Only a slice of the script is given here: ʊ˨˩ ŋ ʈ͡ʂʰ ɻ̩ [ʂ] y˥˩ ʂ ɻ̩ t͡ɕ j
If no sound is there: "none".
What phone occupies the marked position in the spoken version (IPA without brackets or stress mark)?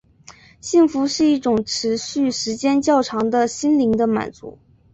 ɕ